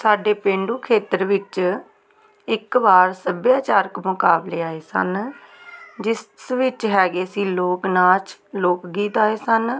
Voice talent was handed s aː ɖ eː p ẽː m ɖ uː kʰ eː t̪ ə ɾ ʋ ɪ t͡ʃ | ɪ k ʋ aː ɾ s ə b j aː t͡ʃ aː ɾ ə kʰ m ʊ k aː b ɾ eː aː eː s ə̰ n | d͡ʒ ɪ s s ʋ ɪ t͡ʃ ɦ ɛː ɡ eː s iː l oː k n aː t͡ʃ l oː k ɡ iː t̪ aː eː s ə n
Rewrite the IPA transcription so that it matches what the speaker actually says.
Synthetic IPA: s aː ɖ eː p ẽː ɳ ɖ uː kʰ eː t̪ ə ɾ ʋ ɪ t͡ʃ | ɪ k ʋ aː ɾ s ə b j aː t͡ʃ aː ɾ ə k m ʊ k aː b l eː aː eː s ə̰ n | d͡ʒ ɪ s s ʋ ɪ t͡ʃ ɦ ɛː ɡ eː s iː l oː k n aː t͡ʃ l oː k ɡ iː t̪ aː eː s ə n